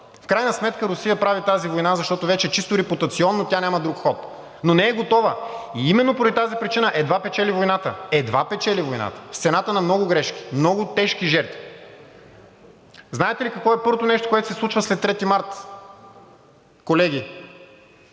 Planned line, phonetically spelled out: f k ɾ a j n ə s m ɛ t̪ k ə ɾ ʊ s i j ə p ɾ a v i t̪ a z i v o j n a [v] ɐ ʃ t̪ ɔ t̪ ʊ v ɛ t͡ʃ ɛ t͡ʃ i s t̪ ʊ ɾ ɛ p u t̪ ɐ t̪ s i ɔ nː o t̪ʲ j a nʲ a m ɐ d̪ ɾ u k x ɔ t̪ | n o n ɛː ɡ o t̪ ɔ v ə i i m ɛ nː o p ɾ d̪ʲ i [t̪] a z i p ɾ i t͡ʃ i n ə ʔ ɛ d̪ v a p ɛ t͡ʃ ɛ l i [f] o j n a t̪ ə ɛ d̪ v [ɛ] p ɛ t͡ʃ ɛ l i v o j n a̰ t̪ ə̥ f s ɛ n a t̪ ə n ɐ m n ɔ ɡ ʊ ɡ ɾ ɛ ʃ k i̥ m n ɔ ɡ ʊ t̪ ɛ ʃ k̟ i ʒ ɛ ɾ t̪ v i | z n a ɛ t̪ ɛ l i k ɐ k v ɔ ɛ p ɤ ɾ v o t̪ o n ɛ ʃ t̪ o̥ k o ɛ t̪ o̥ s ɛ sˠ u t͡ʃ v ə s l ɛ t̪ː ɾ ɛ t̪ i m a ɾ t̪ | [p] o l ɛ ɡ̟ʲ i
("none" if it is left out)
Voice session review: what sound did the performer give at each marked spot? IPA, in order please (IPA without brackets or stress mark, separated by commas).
z, t̪, v, a, k